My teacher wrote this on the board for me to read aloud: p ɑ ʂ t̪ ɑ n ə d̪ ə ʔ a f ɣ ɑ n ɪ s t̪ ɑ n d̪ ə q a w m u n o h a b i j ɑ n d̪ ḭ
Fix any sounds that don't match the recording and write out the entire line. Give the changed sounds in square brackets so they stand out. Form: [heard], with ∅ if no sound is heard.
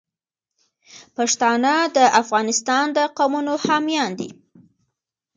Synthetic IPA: p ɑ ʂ t̪ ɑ n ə d̪ ə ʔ a f ɣ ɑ n ɪ s t̪ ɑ n d̪ ə q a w m u n o h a [m] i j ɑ n d̪ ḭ